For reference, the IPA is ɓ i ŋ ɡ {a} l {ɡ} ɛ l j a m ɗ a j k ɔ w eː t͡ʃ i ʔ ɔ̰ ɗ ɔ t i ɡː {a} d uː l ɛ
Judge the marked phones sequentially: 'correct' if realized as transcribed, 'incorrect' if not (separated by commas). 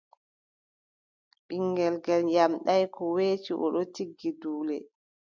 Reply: incorrect, correct, incorrect